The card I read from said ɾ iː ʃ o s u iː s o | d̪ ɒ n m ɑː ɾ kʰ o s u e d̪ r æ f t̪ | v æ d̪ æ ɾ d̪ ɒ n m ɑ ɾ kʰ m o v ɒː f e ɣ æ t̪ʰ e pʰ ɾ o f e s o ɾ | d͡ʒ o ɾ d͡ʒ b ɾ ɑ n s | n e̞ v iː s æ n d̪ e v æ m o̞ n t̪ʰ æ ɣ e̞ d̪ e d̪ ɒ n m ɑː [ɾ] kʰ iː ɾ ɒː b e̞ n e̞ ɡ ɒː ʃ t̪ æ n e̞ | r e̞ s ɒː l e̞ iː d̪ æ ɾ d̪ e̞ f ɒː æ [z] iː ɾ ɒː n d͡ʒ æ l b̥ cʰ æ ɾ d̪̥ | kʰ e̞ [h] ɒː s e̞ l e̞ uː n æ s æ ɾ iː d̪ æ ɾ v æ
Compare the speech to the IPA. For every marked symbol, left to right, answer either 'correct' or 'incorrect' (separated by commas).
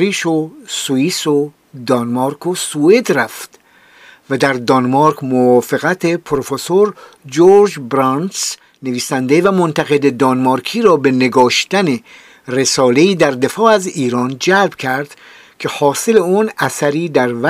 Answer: correct, correct, correct